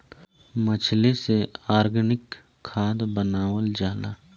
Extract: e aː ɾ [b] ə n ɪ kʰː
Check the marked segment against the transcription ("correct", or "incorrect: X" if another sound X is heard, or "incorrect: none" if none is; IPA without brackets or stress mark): incorrect: ɡ